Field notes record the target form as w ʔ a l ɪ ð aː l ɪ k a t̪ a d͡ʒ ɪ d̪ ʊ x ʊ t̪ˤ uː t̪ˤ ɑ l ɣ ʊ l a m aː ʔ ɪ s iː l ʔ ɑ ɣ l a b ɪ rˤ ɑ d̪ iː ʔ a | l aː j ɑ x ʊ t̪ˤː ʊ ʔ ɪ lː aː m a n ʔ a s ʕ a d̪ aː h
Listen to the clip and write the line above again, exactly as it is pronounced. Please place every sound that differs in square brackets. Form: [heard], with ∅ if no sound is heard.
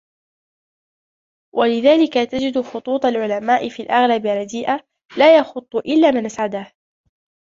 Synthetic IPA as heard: w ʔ a l ɪ ð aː l ɪ k a t̪ a d͡ʒ ɪ d̪ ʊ x ʊ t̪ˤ uː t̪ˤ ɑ l [ʕ] ʊ l a m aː ʔ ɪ [f] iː l ʔ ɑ ɣ l a b ɪ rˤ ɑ d̪ iː ʔ a | l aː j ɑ x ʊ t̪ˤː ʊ ʔ ɪ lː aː m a n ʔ a s ʕ a d̪ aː h